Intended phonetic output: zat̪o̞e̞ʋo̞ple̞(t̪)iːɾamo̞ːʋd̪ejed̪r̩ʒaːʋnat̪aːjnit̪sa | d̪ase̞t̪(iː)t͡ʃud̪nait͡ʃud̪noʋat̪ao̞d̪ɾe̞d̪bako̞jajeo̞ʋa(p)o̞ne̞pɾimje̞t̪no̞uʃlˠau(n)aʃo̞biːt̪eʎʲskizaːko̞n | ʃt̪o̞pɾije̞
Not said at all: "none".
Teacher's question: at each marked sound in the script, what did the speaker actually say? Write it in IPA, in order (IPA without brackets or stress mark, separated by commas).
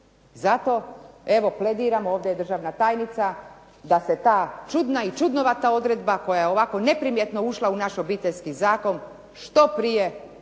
d̪, aː, k, n